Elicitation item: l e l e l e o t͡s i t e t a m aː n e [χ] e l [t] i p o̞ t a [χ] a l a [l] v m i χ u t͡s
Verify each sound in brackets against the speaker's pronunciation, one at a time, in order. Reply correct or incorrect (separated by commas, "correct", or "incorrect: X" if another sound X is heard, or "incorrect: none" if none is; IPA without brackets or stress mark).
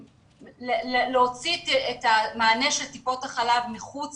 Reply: incorrect: ʃ, correct, correct, incorrect: none